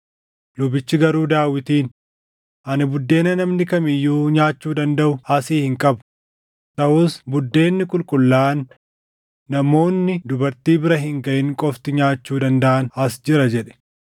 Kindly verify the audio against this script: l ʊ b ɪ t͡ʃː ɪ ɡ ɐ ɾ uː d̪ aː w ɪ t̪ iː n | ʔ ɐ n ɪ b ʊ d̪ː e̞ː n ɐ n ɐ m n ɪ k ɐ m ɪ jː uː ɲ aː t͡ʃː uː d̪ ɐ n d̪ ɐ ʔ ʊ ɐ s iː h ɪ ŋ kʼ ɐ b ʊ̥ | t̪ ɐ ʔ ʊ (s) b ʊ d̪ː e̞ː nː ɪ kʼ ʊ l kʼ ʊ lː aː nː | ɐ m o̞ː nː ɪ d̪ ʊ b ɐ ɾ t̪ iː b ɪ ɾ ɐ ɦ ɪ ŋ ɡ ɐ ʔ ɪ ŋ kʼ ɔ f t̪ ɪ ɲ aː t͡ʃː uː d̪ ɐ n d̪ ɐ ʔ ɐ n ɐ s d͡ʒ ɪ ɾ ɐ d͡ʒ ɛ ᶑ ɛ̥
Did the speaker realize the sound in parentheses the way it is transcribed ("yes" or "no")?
yes